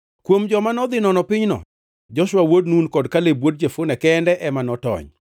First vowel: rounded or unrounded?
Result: rounded